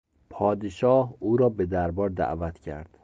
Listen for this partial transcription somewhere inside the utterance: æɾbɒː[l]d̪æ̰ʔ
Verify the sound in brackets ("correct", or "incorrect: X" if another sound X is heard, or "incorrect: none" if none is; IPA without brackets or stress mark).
incorrect: ɾ